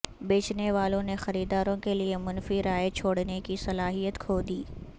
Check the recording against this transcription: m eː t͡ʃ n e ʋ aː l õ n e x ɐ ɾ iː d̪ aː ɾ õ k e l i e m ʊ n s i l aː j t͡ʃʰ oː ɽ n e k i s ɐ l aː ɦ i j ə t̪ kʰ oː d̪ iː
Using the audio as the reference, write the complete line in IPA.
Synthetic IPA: b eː t͡ʃ n e ʋ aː l õ n e x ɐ ɾ iː d̪ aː ɾ õ k e l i e m ʊ n f i ɾ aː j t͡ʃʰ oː ɽ n e k i s ɐ l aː ɦ i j ə t̪ kʰ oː d̪ iː